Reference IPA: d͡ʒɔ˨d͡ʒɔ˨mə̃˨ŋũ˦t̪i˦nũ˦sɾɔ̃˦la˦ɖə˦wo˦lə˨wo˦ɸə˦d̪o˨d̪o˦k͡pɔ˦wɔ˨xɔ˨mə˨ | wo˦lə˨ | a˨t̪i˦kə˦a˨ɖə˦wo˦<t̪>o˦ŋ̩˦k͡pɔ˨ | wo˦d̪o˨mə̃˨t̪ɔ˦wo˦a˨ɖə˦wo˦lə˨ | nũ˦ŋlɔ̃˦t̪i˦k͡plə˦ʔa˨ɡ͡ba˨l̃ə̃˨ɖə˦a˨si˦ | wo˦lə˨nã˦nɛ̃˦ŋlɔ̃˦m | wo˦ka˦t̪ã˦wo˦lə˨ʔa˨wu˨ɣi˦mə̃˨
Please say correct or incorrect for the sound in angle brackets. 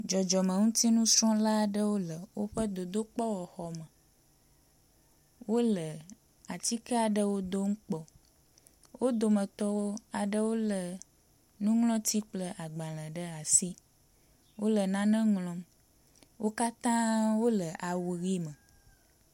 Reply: incorrect: d̪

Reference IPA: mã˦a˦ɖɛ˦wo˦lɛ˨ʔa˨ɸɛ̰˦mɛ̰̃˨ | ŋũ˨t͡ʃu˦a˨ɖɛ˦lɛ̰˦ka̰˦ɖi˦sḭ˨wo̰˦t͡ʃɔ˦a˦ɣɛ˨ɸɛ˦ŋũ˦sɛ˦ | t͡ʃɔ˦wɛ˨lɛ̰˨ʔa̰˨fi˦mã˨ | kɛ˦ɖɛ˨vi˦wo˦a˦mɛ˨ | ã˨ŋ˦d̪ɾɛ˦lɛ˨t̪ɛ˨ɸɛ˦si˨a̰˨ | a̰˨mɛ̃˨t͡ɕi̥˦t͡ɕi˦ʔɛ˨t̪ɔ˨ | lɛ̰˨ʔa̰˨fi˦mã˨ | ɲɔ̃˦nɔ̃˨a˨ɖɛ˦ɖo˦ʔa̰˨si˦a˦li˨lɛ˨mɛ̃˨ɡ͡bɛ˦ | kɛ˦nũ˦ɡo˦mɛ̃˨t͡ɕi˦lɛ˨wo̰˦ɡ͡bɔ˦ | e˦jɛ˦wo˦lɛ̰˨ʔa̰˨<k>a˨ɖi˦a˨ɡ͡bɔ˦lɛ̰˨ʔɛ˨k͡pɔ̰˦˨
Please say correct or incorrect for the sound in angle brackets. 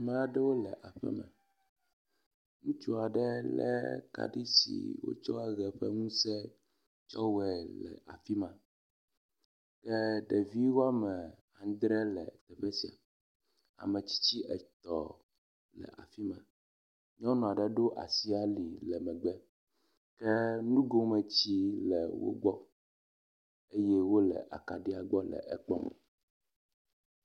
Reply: correct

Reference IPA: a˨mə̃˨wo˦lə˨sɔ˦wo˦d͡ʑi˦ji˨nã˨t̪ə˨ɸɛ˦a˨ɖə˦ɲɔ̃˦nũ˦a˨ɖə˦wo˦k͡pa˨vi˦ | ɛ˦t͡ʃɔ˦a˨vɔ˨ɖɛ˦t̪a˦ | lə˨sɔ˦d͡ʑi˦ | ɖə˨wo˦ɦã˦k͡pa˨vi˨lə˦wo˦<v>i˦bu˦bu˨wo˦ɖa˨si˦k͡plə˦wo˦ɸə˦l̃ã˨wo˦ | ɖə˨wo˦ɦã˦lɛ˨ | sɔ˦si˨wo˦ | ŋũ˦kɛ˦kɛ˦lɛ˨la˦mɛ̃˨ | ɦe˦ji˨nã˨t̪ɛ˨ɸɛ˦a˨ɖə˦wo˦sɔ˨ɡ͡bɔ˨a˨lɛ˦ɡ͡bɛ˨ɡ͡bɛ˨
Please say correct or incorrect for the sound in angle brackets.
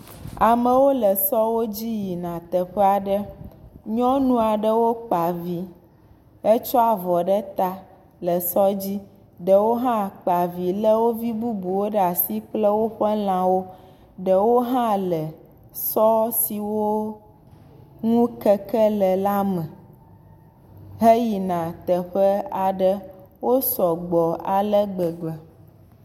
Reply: correct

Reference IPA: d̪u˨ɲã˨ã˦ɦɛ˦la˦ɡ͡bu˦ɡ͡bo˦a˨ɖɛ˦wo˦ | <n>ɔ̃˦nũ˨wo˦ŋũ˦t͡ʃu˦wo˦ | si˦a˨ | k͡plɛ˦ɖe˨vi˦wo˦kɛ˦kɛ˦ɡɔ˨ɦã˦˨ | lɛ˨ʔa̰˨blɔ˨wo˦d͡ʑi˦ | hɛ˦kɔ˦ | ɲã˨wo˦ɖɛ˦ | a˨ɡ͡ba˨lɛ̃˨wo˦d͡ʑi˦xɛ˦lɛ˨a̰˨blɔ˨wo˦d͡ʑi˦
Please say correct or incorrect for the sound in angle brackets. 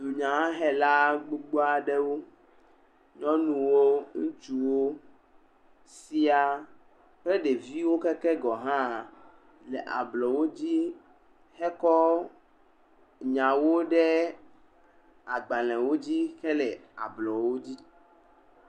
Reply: incorrect: ɲ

